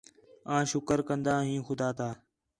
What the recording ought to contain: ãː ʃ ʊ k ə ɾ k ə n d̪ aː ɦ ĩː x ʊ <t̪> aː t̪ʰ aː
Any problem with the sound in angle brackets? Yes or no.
yes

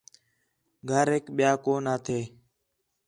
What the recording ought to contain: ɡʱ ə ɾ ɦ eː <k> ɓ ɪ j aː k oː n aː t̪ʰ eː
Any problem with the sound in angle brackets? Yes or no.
no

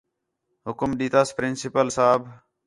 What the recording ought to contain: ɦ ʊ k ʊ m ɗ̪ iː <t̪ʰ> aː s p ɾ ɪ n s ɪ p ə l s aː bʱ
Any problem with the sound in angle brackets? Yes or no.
yes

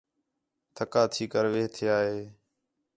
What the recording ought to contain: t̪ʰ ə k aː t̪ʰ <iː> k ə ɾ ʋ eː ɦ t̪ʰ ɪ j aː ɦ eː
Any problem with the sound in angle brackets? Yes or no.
no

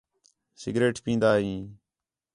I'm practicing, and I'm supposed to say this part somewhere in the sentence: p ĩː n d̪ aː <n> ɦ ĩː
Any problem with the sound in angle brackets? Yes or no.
yes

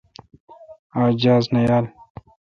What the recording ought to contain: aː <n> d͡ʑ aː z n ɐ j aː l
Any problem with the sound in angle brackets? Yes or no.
yes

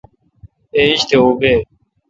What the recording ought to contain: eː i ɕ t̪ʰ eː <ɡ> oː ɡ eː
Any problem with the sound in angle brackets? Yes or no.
yes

